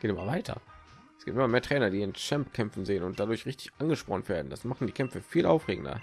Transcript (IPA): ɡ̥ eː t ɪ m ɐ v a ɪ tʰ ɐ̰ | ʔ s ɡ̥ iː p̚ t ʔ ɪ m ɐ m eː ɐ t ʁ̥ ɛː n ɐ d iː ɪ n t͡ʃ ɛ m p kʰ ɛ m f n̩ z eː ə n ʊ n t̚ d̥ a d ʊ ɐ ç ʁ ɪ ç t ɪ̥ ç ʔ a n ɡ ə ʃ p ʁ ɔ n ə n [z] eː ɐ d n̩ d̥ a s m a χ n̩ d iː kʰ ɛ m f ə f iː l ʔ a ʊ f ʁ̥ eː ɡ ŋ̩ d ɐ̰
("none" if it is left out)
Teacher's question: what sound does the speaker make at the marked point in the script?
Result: v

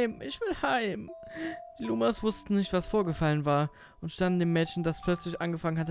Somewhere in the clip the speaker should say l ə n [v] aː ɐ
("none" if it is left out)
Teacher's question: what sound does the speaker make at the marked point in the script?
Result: v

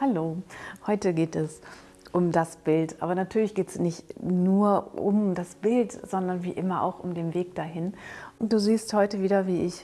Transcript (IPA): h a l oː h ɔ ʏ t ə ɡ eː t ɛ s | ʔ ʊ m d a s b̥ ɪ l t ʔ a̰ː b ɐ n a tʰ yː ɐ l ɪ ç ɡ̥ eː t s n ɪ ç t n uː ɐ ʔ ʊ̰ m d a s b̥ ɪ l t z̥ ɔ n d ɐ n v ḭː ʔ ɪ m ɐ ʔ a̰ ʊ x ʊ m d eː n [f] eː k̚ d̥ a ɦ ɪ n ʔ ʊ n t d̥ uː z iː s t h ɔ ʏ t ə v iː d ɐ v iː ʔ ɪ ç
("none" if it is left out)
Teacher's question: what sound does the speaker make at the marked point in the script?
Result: v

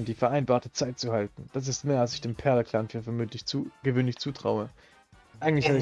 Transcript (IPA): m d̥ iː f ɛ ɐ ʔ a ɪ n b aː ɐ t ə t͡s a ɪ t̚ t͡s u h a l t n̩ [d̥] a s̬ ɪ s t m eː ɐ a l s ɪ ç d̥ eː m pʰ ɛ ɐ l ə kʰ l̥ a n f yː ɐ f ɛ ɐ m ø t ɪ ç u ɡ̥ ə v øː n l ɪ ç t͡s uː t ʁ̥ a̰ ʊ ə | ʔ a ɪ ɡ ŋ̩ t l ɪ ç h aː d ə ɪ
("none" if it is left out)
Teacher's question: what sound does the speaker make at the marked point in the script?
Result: d̥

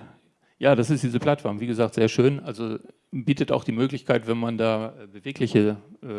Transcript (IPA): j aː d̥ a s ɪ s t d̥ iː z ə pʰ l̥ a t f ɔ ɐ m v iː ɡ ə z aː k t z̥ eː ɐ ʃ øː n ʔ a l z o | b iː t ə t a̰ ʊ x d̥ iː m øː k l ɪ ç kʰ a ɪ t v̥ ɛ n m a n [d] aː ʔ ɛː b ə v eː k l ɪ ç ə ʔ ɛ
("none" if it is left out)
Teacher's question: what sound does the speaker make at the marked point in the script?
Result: d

